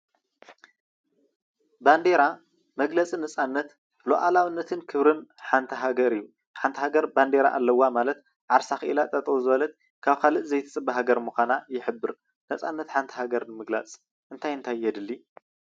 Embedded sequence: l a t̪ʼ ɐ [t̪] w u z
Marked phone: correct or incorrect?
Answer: incorrect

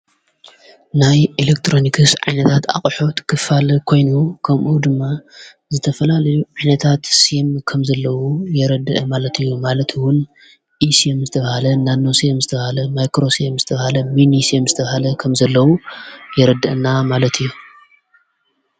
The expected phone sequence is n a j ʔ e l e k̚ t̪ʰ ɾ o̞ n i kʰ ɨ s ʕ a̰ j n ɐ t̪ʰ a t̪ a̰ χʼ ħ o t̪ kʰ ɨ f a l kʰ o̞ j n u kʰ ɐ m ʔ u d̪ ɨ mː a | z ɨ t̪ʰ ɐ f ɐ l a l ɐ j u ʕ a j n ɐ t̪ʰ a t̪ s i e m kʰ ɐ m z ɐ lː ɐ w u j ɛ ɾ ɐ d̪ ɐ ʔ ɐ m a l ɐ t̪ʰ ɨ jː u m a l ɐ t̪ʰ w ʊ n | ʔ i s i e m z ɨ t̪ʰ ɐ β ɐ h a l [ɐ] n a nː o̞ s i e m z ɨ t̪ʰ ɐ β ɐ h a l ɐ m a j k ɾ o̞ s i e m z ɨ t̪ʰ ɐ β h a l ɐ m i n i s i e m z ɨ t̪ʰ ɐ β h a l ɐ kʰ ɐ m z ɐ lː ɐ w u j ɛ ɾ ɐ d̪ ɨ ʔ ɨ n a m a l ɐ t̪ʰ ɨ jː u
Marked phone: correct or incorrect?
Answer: correct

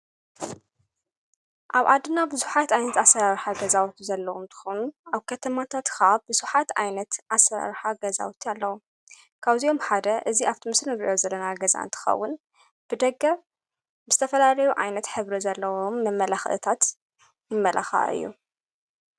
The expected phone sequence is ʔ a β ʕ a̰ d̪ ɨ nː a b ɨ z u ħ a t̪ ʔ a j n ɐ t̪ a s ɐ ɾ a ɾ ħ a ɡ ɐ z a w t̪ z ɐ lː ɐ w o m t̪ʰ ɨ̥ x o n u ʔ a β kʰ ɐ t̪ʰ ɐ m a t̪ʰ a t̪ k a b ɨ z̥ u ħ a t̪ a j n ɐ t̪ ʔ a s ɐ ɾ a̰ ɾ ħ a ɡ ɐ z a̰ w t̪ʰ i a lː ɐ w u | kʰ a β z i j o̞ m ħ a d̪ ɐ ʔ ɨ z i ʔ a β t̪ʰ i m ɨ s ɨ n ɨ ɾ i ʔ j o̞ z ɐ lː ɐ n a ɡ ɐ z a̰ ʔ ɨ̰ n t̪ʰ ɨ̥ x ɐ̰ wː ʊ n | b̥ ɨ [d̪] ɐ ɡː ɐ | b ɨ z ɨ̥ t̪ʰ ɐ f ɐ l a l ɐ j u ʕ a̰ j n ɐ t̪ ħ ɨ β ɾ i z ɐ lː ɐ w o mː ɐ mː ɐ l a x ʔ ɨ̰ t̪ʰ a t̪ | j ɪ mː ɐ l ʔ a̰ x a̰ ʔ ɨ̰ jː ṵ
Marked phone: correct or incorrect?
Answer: correct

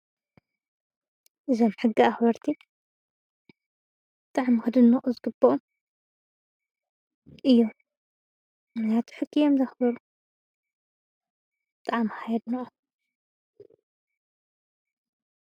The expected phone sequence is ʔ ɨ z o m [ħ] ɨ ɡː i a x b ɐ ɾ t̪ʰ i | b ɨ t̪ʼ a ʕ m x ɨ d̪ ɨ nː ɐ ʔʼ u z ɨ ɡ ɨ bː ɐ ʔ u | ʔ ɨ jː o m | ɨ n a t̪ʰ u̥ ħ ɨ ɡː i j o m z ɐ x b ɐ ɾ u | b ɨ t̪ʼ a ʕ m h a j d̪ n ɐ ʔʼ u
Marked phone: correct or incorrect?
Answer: correct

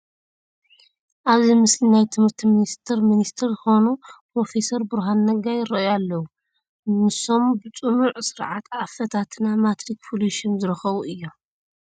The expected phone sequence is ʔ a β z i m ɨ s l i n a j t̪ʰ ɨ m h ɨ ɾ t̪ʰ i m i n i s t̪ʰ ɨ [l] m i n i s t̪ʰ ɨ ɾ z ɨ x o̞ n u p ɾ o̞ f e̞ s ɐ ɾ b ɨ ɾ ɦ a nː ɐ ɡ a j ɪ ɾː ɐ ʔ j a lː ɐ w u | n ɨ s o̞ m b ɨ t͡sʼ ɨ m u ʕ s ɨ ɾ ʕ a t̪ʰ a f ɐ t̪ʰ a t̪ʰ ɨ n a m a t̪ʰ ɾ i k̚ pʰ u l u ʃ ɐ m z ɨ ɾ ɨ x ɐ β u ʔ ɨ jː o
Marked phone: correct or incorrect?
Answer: incorrect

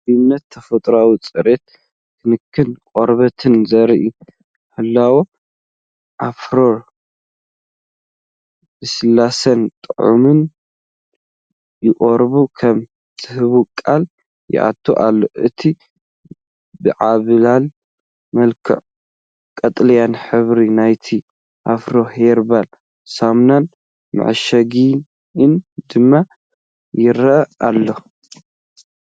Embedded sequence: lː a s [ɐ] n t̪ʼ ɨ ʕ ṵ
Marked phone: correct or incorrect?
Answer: correct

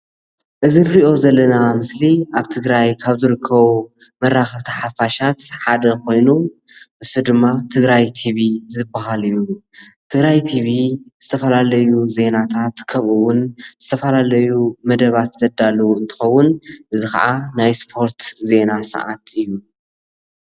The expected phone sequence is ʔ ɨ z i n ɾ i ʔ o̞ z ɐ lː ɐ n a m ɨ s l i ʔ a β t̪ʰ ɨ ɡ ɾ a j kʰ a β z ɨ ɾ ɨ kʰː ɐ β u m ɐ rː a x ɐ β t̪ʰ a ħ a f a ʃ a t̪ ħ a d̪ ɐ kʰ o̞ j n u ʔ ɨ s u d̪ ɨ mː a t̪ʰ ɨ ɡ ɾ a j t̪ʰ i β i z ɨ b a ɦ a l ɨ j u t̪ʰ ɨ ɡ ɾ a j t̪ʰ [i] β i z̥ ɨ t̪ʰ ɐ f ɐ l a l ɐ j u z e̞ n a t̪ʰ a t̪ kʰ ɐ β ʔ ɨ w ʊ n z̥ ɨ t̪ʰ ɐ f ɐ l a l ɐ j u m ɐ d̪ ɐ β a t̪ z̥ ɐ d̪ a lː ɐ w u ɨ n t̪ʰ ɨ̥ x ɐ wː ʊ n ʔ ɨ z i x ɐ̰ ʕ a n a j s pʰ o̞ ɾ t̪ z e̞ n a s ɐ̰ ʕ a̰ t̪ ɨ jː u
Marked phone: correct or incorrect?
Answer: correct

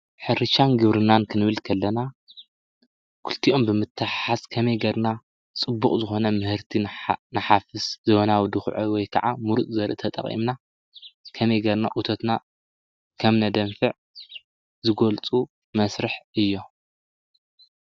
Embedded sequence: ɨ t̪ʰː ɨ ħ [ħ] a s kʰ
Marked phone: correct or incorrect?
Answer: correct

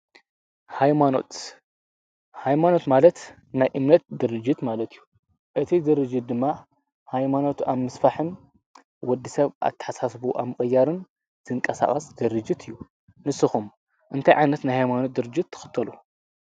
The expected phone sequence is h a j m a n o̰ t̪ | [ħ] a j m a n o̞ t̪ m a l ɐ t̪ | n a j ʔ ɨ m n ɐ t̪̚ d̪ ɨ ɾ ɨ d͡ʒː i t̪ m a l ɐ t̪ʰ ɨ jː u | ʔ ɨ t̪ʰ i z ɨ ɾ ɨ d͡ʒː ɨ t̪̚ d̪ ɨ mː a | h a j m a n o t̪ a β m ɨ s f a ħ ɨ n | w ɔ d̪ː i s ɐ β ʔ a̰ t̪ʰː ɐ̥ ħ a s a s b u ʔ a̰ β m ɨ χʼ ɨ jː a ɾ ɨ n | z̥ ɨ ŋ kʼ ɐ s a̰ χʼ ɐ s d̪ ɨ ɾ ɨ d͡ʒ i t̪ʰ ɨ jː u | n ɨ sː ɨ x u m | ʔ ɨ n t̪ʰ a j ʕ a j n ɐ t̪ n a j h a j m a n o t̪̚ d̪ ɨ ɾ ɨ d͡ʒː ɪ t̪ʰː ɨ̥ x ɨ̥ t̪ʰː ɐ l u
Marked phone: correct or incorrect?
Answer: incorrect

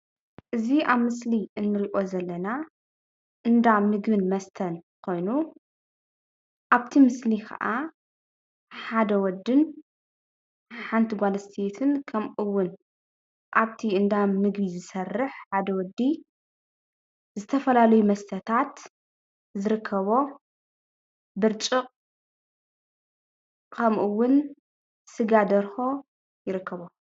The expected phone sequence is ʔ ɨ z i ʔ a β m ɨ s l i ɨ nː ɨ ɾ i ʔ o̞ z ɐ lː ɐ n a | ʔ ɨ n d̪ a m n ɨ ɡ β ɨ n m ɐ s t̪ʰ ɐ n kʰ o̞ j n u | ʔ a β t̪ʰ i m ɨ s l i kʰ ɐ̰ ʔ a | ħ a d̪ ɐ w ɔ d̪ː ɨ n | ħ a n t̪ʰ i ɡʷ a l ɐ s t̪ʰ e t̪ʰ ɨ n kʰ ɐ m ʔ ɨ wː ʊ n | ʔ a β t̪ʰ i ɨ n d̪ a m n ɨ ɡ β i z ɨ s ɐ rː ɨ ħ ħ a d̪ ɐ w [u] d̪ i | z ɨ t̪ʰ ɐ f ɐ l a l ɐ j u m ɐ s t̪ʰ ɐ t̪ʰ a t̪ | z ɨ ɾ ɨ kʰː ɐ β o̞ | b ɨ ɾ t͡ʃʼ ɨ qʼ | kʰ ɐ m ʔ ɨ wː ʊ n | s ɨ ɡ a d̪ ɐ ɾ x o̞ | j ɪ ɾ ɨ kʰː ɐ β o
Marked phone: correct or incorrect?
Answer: incorrect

